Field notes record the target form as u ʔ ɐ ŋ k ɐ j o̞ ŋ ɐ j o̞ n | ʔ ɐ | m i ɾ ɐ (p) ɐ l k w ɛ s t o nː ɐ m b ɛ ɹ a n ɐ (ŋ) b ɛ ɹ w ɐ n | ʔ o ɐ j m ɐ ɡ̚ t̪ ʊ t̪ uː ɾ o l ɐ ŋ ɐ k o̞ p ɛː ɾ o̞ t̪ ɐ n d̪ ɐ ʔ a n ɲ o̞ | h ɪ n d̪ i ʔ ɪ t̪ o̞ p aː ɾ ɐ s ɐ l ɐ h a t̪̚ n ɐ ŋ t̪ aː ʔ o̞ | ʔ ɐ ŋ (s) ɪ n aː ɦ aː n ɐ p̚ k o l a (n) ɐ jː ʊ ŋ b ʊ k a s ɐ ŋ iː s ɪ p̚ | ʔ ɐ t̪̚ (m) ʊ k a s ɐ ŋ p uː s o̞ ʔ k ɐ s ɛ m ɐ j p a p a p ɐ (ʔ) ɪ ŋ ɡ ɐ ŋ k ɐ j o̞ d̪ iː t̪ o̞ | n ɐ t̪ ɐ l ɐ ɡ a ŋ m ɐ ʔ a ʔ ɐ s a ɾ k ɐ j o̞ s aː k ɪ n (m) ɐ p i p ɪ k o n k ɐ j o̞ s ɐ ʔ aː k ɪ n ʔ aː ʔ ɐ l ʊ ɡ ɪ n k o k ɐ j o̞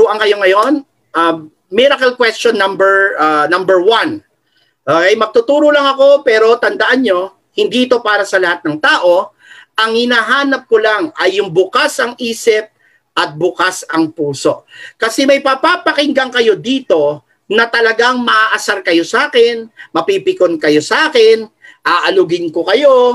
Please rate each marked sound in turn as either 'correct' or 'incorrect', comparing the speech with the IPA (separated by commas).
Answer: incorrect, incorrect, incorrect, incorrect, incorrect, incorrect, correct